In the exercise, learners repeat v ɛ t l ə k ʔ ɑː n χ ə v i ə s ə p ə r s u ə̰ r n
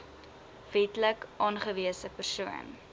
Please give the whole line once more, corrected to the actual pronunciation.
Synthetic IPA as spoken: v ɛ t l ə k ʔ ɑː n χ ə v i ə s ə p ə r s u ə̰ n